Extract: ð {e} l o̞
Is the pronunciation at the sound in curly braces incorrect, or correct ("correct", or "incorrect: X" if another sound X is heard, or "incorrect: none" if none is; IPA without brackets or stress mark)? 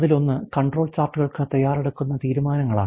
incorrect: i